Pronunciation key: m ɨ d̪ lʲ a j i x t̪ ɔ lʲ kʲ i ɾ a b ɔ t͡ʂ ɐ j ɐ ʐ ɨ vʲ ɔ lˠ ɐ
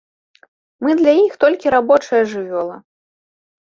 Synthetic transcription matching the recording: m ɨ d̪ lʲ a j i x t̪ ɔ lʲ kʲ i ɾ a b ɔ t͡ʂ ɐ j ɐ ʐ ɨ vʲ ɔ lˠ ɐ